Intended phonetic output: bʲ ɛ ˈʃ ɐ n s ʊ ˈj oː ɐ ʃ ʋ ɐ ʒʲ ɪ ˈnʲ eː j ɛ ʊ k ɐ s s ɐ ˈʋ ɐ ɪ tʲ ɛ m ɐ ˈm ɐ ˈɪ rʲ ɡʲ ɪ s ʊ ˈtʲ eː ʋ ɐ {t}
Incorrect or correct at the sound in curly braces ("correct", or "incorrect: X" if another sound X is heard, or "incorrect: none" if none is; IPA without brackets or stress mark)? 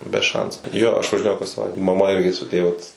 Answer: correct